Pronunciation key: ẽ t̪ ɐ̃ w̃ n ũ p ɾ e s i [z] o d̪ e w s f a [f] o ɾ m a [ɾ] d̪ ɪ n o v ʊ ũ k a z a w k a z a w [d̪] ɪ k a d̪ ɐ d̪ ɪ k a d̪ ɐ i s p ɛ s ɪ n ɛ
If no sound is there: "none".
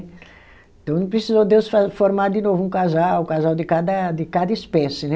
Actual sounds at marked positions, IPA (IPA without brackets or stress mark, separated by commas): z, f, ɾ, d̪